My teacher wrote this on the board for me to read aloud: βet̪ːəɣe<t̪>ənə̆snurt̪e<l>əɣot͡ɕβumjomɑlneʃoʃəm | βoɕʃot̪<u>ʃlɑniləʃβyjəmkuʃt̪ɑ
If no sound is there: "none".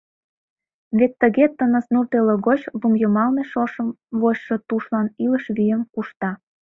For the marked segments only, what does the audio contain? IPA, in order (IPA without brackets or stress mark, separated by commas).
t̪, l, u